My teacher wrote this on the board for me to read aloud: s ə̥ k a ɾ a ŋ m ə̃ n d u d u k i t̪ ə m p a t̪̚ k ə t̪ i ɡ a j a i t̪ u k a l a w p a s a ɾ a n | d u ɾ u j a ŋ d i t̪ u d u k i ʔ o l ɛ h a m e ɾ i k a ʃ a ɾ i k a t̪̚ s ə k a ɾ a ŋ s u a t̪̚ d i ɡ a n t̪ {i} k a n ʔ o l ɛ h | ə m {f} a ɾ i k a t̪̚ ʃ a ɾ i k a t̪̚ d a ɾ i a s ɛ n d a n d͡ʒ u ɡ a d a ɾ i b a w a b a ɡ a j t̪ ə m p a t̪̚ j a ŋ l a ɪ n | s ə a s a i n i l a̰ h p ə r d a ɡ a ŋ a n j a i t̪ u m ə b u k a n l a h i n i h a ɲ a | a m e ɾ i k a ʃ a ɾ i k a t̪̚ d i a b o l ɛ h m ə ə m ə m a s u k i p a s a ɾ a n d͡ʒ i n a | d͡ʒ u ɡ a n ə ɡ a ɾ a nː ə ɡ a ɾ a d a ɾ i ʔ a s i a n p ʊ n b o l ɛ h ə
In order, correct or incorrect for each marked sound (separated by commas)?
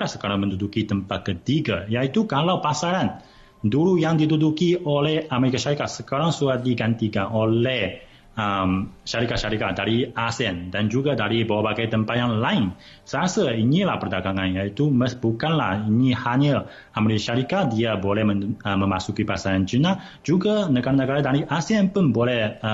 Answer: correct, incorrect